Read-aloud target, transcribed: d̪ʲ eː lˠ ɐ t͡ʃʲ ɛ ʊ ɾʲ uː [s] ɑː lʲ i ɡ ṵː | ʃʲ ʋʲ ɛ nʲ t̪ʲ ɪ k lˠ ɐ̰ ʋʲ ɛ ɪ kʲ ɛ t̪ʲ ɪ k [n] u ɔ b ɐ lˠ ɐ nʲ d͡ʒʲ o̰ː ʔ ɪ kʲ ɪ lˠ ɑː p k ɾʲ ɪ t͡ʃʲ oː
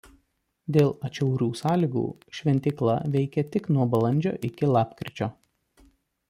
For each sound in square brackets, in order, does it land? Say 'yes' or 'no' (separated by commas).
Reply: yes, yes